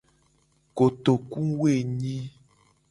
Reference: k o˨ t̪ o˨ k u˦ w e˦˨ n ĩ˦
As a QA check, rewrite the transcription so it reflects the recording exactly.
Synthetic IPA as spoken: k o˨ t̪ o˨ k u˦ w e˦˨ ɲ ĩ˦